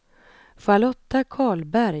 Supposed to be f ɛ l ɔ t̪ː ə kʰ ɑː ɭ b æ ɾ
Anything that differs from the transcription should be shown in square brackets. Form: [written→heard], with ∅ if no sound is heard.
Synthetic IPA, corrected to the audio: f [ɛ→a] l ɔ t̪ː [ə→a] kʰ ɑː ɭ b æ ɾ